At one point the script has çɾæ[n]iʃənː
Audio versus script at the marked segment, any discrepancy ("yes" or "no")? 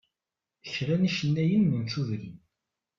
no